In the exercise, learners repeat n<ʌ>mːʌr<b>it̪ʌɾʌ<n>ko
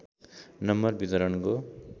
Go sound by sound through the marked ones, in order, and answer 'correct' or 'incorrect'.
correct, correct, correct

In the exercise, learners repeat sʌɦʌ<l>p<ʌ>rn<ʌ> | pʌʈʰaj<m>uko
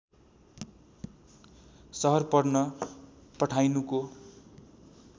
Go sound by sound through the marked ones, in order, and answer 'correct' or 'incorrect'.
incorrect, correct, correct, incorrect

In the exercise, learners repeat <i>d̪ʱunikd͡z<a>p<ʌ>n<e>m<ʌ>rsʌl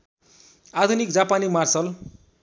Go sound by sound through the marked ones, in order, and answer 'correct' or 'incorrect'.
incorrect, correct, incorrect, incorrect, incorrect

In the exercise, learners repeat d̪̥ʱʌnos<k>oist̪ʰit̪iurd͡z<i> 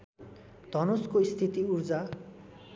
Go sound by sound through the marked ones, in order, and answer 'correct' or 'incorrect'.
correct, incorrect

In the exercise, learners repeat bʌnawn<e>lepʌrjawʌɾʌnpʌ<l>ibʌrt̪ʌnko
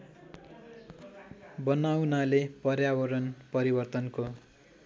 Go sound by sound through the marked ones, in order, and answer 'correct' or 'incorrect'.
incorrect, incorrect

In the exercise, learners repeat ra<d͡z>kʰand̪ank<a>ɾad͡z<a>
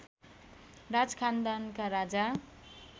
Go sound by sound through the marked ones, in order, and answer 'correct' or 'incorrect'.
correct, correct, correct

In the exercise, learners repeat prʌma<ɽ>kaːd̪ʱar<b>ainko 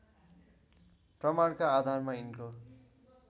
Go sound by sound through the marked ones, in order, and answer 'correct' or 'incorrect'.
correct, incorrect

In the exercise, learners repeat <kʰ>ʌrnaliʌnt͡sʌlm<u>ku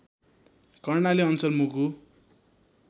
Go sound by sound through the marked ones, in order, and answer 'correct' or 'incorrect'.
incorrect, correct

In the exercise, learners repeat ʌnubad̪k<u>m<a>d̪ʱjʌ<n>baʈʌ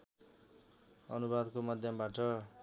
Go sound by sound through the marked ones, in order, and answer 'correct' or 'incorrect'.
incorrect, incorrect, incorrect

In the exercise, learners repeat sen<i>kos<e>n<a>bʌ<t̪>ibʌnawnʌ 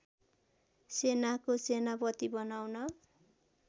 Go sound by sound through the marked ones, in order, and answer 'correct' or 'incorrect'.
incorrect, correct, correct, correct

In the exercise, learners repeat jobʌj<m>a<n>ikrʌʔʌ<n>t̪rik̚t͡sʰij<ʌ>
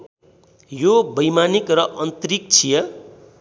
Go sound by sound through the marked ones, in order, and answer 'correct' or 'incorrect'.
correct, correct, correct, correct

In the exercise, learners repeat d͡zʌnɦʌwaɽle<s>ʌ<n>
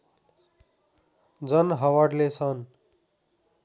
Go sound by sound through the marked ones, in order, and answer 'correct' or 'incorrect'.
correct, correct

